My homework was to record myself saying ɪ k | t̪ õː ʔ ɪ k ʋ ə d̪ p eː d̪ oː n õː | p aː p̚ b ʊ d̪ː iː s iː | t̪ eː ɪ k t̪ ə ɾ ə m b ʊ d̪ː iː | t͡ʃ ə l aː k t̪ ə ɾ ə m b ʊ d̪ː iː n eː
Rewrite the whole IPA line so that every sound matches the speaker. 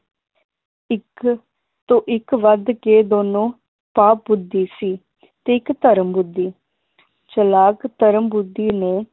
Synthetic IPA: ɪ k | t̪ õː ʔ ɪ k ʋ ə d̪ k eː d̪ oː n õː | p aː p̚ b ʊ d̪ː iː s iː | t̪ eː ɪ k t̪ ə ɾ ə m b ʊ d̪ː iː | t͡ʃ ə l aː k t̪ ə ɾ ə m b ʊ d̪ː iː n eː